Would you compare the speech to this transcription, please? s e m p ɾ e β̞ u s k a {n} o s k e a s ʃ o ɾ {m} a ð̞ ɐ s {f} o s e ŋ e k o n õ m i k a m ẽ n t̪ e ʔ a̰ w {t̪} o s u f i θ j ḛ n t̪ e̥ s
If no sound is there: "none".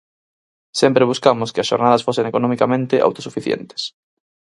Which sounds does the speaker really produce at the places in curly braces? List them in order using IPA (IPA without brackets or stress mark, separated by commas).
m, n, f, t̪